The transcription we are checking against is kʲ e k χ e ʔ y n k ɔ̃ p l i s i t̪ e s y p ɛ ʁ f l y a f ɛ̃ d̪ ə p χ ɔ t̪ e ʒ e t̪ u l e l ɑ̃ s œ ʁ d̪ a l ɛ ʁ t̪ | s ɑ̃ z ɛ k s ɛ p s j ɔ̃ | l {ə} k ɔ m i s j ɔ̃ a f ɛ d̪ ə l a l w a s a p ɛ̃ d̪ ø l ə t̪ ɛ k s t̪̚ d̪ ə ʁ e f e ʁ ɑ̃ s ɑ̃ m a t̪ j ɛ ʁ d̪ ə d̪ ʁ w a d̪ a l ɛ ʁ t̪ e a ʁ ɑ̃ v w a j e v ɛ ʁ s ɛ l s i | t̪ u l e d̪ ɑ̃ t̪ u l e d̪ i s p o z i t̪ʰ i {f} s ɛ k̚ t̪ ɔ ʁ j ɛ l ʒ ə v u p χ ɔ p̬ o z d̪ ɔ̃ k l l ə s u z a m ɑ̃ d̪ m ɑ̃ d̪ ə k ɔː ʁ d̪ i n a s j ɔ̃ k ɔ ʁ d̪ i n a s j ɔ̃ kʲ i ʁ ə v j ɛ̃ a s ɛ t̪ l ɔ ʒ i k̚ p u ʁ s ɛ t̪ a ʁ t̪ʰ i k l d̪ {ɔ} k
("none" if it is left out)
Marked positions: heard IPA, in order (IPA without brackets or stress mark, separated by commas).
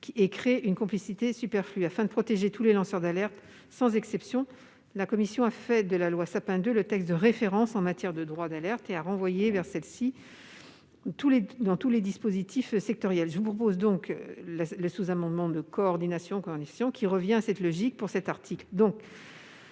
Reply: a, f, ɔ̃